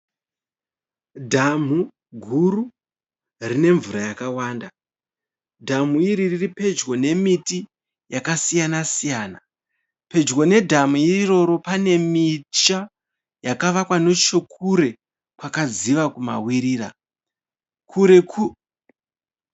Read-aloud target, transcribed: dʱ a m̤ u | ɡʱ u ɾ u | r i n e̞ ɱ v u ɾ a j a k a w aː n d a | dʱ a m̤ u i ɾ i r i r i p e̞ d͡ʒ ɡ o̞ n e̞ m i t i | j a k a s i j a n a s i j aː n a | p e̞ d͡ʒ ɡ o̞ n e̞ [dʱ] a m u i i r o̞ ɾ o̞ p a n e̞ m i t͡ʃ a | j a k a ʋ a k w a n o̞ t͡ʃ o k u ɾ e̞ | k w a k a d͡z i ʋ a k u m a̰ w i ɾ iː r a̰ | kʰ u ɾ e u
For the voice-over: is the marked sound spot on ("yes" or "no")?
yes